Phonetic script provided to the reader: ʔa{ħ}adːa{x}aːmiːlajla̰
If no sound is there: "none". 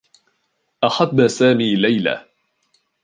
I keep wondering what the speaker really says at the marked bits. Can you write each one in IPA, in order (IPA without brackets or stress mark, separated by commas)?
ħ, s